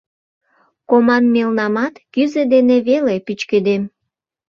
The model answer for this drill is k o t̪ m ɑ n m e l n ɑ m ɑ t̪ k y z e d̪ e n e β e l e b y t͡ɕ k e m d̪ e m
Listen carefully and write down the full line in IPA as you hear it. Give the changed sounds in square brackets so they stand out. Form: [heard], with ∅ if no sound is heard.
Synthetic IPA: k o [∅] m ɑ n m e l n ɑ m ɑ t̪ k y z e d̪ e n e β e l e [p] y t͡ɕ k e [∅] d̪ e m